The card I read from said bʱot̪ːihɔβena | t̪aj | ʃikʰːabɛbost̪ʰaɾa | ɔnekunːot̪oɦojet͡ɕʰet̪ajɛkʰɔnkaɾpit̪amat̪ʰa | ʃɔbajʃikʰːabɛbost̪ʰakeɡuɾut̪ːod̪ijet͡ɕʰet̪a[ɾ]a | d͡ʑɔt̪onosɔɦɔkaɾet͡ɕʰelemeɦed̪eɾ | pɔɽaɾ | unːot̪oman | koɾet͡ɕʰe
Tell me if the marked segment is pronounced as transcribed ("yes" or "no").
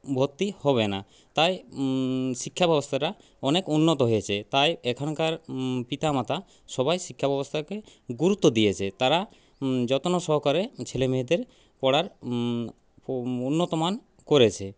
yes